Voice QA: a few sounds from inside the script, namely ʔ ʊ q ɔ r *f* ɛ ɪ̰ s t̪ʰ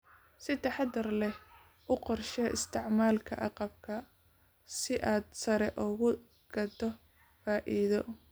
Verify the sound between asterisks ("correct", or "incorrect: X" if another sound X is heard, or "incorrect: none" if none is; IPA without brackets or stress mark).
incorrect: ʃ